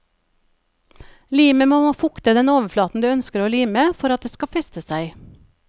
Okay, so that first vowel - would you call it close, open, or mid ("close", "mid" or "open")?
close